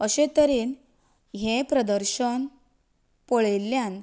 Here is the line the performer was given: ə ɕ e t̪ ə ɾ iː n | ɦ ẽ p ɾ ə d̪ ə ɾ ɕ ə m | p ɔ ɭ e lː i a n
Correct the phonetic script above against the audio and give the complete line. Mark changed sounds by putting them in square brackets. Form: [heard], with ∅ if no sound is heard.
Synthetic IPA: ə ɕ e t̪ ə ɾ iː n | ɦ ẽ p ɾ ə d̪ ə ɾ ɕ ə [n] | p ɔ ɭ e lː [j] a n